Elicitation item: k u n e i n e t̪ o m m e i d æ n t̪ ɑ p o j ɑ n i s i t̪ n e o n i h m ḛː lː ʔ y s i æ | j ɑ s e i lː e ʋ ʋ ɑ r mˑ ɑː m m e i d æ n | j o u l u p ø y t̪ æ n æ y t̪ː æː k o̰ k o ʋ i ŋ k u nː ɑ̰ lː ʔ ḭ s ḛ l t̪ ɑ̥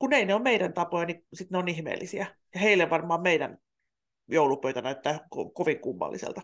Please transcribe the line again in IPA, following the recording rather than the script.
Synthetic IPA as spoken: k u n e i n e o m m e i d æ n t̪ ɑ p o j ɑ n i s i t̪ n e o n i h m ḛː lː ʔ i s i æ | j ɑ h e i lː e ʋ ʋ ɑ r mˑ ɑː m m e i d æ n | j o u l u p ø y t̪ æ n æ y t̪ː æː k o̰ k o ʋ i ŋ k u mː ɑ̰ lː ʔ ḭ s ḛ l t̪ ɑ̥